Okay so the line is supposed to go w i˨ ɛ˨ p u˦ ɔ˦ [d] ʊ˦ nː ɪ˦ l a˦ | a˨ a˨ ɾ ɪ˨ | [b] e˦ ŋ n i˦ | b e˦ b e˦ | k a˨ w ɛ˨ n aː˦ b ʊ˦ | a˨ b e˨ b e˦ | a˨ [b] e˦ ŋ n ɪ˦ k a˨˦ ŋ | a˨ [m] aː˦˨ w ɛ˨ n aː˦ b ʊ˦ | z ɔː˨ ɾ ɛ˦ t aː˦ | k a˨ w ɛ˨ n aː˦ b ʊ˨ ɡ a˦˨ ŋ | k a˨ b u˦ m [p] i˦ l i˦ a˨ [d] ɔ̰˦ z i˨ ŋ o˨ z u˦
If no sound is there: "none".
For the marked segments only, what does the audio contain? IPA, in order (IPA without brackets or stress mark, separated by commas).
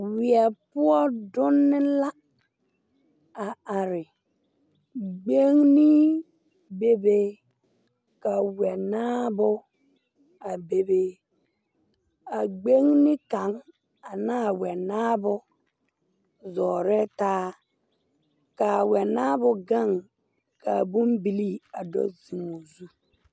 d, ɡ͡b, ɡ͡b, n, b, d